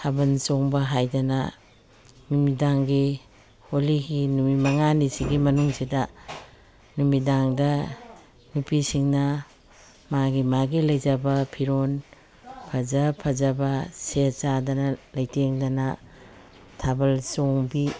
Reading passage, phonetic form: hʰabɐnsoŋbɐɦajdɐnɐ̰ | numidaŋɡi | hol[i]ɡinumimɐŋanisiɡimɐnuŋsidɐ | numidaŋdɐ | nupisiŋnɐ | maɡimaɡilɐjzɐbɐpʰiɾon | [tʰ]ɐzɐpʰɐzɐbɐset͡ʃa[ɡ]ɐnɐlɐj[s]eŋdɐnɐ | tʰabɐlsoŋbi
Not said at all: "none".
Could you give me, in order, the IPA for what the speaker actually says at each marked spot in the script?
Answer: i, pʰ, d, t

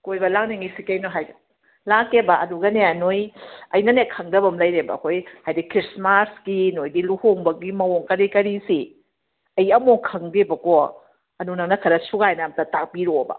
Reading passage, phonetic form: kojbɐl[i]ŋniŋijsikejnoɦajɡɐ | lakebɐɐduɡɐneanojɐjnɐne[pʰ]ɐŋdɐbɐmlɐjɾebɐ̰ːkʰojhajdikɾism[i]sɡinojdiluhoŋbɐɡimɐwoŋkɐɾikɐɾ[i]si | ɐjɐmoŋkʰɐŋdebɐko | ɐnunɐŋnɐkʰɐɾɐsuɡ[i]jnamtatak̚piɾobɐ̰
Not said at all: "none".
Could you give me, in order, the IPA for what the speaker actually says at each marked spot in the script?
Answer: a, kʰ, a, i, a

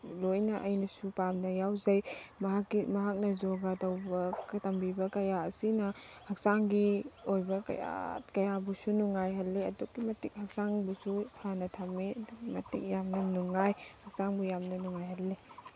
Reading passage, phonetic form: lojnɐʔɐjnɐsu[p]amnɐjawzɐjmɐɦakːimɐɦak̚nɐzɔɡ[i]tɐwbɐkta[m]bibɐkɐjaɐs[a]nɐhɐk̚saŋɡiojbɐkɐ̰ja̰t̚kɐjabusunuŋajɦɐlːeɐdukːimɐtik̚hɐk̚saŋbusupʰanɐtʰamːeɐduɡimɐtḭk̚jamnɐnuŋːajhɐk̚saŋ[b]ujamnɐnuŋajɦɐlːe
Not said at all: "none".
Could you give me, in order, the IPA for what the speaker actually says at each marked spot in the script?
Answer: p, a, m, i, b

